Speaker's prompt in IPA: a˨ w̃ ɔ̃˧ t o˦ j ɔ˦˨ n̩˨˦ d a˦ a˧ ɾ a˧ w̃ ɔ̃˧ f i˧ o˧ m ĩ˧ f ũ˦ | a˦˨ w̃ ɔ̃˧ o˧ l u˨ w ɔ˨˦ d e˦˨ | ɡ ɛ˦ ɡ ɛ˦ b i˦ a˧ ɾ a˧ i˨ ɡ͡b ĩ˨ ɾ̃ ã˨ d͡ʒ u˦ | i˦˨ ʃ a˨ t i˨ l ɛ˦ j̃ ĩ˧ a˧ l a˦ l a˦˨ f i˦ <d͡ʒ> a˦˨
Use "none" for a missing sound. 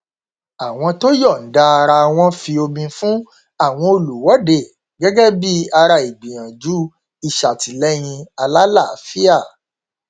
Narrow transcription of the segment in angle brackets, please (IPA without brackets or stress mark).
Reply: none